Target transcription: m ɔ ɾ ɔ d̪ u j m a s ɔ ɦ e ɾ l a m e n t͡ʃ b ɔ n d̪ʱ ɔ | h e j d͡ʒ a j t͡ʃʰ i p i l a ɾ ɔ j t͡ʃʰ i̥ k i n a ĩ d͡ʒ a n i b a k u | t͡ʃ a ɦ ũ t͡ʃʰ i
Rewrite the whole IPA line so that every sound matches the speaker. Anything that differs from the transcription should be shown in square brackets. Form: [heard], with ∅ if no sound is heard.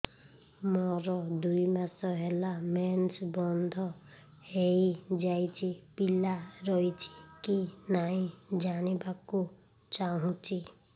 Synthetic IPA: m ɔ ɾ ɔ d̪ u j m a s ɔ ɦ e [∅] l a m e n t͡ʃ b ɔ n d̪ʱ ɔ | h e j d͡ʒ a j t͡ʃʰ i p i l a ɾ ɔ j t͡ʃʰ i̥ k i n a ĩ d͡ʒ a n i b a k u | t͡ʃ a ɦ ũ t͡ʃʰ i